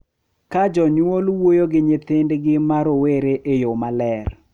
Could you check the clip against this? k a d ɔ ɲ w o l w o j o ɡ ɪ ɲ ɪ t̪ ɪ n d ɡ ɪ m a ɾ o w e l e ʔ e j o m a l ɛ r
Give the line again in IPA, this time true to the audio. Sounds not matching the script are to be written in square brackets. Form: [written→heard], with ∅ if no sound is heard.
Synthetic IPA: k a [d→d͡ʒ] ɔ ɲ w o l w o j o ɡ ɪ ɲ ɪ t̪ ɪ n d ɡ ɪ m a ɾ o w e [l→ɾ] e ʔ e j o m a l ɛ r